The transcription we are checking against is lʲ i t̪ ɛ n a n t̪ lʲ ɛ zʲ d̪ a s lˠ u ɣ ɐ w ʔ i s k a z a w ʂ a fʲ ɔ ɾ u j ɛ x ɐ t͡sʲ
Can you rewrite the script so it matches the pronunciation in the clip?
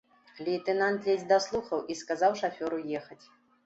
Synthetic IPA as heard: lʲ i t̪ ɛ n a n t̪ lʲ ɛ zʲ d̪ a s lˠ u x ɐ w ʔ i s k a z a w ʂ a fʲ ɔ ɾ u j ɛ x ɐ t͡sʲ

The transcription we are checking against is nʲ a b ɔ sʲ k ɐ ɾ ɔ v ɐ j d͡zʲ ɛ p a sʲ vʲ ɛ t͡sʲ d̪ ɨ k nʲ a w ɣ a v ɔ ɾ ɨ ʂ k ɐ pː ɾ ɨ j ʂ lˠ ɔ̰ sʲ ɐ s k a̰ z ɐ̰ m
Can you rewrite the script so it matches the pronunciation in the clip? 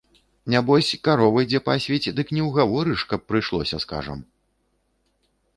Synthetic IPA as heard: nʲ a b ɔ sʲ k a ɾ ɔ v ɐ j d͡zʲ ɛ p a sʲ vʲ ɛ t͡sʲ d̪ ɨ k nʲ ɛ w ɣ a v ɔ ɾ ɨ ʂ k ɐ pː ɾ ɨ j ʂ lˠ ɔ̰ sʲ ɐ s k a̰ ʐ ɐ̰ m

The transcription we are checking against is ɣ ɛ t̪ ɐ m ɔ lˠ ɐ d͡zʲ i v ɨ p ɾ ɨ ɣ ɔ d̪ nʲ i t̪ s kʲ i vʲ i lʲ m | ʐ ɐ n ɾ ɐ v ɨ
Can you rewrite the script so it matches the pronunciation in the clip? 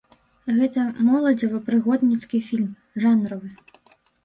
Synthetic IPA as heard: ɣ ɛ t̪ ɐ m ɔ lˠ ɐ d͡zʲ i v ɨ p ɾ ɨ ɣ ɔ d̪ nʲ i t̪ s kʲ i fʲ i lʲ m | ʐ a n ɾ ɐ v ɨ

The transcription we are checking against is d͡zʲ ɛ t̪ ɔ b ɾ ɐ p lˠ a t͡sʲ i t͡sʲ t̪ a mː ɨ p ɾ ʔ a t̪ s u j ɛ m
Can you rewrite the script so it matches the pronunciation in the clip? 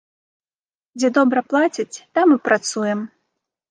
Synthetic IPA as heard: d͡zʲ ɛ d̪ ɔ b ɾ ɐ p lˠ a t͡sʲ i t͡sʲ t̪ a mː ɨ p ɾ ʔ a t̪ s u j ɛ m

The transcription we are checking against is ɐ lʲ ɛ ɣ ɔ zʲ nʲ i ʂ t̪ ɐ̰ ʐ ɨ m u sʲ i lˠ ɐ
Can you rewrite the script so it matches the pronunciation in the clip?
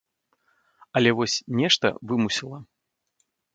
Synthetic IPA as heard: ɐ lʲ ɛ v ɔ sʲ nʲ ɛ ʂ t̪ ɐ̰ v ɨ m u sʲ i lˠ ɐ

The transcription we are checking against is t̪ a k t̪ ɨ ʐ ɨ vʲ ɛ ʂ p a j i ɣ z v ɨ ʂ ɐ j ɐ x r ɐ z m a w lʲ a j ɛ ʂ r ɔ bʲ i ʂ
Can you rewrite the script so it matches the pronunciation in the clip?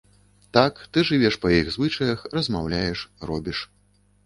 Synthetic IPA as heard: t̪ a k t̪ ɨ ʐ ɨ vʲ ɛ ʂ p ɐ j i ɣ z v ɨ t͡ʂ ɐ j ɐ x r ɐ z m a w lʲ a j ɛ ʂ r ɔ bʲ i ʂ

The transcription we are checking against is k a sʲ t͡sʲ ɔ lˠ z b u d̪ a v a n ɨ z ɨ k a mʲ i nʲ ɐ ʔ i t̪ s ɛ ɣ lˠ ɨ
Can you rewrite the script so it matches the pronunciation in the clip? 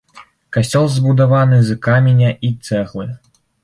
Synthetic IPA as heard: k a sʲ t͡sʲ ɔ lˠ z b u d̪ a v a n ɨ z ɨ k a mʲ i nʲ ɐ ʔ i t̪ s ɛ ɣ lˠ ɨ

